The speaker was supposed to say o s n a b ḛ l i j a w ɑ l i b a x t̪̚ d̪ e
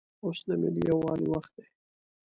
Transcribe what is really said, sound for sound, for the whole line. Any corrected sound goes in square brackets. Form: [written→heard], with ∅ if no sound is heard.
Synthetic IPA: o s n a [b→m] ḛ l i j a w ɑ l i [b→w] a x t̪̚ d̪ e